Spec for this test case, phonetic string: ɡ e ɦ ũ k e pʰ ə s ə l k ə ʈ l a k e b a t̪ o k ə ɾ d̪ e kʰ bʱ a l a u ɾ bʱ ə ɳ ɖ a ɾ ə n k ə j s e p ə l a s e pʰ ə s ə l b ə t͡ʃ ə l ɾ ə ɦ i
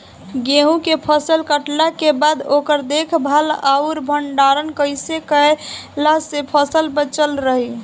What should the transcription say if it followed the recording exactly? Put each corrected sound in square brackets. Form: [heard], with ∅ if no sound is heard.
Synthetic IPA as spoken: ɡ e ɦ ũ k e pʰ ə s ə l k ə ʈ l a k e b a [d̪] o k ə ɾ d̪ e kʰ bʱ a l a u ɾ bʱ ə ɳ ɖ a ɾ ə n k ə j s e [k] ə l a s e pʰ ə s ə l b ə t͡ʃ ə l ɾ ə ɦ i